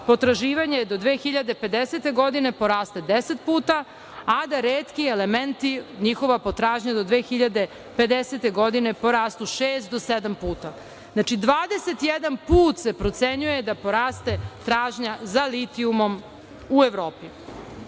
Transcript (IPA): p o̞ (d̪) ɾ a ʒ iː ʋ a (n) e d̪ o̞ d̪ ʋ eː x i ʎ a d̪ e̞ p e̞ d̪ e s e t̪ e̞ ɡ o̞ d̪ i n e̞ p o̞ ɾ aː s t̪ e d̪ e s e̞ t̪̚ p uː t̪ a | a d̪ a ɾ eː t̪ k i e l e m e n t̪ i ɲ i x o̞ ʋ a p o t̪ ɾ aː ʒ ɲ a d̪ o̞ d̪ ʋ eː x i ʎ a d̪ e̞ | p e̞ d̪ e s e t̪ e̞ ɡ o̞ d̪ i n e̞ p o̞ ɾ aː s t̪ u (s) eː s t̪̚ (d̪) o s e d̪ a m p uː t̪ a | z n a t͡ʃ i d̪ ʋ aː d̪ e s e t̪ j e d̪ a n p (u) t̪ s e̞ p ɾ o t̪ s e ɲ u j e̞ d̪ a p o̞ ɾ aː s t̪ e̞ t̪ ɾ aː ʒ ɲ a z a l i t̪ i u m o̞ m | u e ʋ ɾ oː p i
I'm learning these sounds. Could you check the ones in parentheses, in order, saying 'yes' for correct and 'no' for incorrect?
no, no, no, yes, no

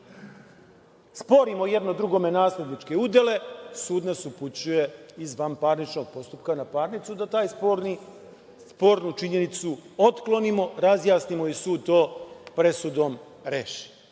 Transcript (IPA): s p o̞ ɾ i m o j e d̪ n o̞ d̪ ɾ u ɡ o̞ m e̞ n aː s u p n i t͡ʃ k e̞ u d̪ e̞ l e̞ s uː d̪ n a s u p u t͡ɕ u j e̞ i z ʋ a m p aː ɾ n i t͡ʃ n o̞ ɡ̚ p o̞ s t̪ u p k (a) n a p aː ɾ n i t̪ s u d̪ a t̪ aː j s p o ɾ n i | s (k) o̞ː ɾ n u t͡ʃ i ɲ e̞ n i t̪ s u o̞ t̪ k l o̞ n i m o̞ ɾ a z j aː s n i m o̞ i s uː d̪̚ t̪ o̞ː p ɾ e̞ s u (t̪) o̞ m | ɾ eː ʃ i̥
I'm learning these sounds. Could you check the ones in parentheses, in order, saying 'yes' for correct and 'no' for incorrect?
yes, no, no

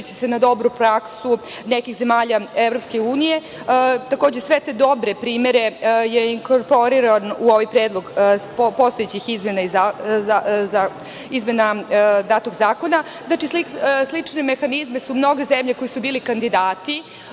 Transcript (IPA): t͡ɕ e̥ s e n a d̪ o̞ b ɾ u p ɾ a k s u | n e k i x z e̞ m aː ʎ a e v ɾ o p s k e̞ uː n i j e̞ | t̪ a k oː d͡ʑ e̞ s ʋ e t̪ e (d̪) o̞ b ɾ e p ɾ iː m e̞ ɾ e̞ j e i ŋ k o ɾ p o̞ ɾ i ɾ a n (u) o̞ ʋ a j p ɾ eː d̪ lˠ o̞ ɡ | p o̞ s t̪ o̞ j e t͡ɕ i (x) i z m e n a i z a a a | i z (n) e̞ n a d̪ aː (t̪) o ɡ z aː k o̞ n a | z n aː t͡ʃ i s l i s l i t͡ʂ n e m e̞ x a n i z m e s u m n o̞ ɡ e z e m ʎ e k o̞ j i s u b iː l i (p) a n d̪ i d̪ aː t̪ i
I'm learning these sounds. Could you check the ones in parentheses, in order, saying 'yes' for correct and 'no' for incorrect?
yes, yes, yes, no, yes, no

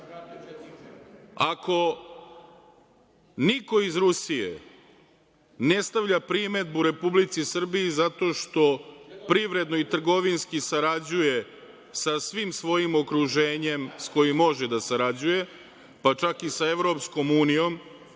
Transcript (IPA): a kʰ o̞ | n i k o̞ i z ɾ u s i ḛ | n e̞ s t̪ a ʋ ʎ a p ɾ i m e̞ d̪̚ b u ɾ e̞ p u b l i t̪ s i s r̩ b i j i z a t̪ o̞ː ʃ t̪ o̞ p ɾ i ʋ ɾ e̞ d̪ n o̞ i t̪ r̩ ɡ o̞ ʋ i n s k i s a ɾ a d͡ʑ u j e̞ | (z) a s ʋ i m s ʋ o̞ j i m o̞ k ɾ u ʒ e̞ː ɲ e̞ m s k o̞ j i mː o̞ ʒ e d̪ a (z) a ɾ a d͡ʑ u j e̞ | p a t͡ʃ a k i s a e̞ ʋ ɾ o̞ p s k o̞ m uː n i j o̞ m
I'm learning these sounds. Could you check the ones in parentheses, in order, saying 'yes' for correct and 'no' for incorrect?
no, no

